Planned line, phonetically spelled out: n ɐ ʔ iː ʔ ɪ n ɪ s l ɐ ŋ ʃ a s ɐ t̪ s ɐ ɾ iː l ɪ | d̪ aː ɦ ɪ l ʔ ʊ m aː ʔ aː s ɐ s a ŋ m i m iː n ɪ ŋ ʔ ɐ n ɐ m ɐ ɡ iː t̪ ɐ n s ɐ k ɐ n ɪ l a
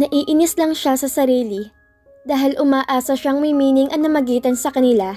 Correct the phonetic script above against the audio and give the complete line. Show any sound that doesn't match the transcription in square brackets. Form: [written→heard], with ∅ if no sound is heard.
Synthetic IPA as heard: n ɐ ʔ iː ʔ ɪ n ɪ s l ɐ ŋ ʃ a s ɐ [t̪→∅] s ɐ ɾ iː l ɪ | d̪ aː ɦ ɪ l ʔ ʊ m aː ʔ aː s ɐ [s→ʃ] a ŋ m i m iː n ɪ ŋ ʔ ɐ n ɐ m ɐ ɡ iː t̪ ɐ n s ɐ k ɐ n ɪ l a

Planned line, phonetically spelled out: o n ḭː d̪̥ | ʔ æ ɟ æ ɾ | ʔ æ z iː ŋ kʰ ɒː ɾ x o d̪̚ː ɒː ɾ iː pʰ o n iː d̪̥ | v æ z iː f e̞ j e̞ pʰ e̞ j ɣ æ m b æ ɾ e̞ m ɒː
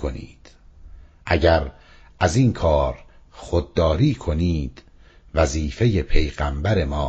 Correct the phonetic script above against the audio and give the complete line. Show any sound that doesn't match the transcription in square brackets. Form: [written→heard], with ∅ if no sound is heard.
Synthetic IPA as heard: o n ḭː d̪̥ | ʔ æ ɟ æ ɾ | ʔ æ z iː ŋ kʰ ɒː ɾ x o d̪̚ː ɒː ɾ iː [pʰ→kʰ] o n iː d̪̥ | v æ z iː f e̞ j e̞ pʰ e̞ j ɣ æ m b æ ɾ e̞ m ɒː

